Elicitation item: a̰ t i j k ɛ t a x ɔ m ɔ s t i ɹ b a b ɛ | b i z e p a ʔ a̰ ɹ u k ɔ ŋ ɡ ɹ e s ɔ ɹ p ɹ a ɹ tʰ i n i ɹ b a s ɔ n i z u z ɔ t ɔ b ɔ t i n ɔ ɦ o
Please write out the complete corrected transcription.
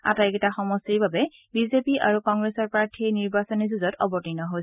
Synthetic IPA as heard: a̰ t a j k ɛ t a x ɔ m ɔ s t i ɹ b a b ɛ | b i z e p i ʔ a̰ ɹ u k ɔ ŋ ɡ ɹ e s ɔ ɹ p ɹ a ɹ tʰ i n i ɹ b a s ɔ n i z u z ɔ t ɔ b ɔ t i n ɔ ɦ o